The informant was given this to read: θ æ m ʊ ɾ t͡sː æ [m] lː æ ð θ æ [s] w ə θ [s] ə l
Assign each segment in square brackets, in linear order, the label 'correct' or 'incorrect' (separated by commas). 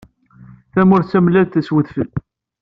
correct, correct, incorrect